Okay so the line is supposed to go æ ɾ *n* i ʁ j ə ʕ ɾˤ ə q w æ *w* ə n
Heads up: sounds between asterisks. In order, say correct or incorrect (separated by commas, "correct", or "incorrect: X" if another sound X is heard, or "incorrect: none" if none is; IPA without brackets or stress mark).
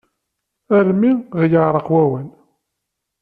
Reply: incorrect: m, correct